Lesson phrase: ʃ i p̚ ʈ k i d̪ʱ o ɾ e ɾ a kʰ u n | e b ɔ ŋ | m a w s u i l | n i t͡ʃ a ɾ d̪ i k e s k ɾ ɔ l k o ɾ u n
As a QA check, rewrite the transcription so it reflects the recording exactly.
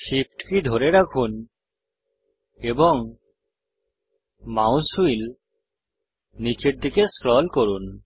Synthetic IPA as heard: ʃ i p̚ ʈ k i d̪ʱ o ɾ e ɾ a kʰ u n | e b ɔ ŋ | m a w s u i l | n i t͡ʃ e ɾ d̪ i k e s k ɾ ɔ l k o ɾ u n